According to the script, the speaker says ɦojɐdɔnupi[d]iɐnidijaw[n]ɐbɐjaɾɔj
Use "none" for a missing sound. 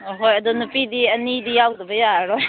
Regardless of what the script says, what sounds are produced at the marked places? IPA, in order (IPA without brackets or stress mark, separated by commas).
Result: d, d